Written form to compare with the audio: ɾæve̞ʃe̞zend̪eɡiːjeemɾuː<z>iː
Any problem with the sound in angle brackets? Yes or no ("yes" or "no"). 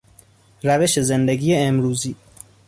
no